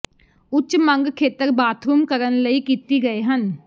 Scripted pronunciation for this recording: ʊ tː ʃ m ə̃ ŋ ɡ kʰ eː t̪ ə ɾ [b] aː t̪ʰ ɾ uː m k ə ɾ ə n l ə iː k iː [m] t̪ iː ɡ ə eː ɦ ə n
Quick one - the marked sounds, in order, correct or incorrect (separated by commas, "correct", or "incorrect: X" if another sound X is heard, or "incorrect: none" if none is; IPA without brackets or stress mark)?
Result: correct, incorrect: none